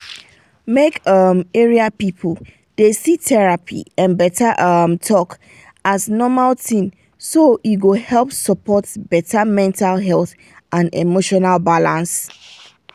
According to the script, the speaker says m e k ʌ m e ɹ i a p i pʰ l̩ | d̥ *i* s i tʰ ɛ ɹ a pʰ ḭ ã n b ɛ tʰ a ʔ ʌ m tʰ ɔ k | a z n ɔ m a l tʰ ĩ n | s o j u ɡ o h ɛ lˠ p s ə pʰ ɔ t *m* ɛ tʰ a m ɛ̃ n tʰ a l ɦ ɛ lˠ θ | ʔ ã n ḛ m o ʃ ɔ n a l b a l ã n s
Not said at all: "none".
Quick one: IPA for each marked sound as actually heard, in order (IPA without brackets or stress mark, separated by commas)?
e, b